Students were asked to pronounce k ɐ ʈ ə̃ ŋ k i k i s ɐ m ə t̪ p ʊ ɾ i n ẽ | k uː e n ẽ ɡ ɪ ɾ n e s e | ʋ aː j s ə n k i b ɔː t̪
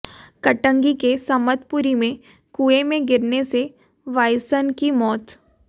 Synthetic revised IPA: k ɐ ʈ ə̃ ŋ ɡ i k e s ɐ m ə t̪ p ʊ ɾ i m ẽ | k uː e m ẽ ɡ ɪ ɾ n e s e | ʋ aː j s ə n k i m ɔː t̪